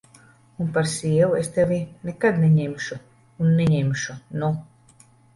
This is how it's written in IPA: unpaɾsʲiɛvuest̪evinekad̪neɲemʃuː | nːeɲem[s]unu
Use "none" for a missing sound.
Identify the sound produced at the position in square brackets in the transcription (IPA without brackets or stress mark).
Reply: ʃ